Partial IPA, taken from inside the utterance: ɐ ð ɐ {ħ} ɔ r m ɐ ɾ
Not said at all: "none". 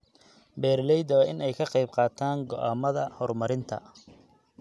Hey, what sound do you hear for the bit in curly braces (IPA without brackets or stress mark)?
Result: h